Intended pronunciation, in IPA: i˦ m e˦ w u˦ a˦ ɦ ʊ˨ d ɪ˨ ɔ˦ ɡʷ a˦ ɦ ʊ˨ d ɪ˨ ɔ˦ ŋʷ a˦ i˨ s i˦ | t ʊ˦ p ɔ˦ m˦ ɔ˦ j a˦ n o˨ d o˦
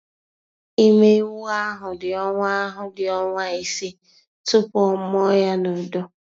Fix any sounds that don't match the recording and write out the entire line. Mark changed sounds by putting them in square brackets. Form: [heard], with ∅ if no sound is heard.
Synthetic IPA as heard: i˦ m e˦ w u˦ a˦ ɦ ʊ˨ d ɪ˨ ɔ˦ [ŋʷ] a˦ ɦ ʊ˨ d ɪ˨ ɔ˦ ŋʷ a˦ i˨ s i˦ | t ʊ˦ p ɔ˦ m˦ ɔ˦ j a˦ n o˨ d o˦

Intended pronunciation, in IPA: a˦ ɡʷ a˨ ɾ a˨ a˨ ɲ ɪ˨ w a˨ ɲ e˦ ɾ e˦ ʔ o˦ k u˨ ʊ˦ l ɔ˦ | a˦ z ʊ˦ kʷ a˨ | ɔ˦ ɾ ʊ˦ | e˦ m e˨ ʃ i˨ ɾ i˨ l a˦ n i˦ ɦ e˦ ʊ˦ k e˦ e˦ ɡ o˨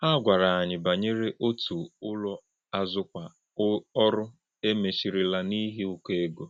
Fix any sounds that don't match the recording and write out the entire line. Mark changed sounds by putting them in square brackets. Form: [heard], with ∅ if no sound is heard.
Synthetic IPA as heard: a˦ ɡʷ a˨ ɾ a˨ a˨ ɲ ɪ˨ [b] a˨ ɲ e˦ ɾ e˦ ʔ o˦ [t] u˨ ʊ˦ l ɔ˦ | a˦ z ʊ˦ kʷ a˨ | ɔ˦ ɾ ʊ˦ | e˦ m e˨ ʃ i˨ ɾ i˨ l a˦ n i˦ ɦ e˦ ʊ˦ k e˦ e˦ ɡ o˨

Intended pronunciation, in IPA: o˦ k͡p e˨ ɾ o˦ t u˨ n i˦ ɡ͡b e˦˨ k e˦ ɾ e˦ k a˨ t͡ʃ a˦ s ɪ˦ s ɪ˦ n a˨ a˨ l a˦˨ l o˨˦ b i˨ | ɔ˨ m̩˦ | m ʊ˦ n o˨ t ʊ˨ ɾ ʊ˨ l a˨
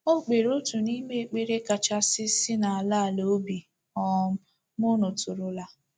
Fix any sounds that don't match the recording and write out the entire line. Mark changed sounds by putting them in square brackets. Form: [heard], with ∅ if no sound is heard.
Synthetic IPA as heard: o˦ k͡p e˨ ɾ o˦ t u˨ n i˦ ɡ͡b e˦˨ [k͡p] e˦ ɾ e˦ k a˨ t͡ʃ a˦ s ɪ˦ s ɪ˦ n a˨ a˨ l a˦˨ l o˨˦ b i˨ | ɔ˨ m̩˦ | m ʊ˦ n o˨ t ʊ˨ ɾ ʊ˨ l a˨

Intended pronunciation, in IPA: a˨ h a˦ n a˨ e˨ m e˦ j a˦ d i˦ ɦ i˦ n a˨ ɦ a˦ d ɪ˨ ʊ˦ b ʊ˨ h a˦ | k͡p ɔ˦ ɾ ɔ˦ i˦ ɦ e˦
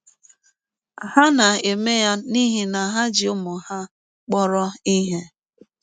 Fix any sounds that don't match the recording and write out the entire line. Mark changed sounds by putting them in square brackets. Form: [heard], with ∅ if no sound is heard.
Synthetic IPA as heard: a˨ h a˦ n a˨ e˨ m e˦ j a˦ [n] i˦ ɦ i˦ n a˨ ɦ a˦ [d͡ʒ] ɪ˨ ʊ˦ [m] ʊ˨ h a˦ | k͡p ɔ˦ ɾ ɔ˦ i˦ ɦ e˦

